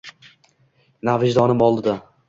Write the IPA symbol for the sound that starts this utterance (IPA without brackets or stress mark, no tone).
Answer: n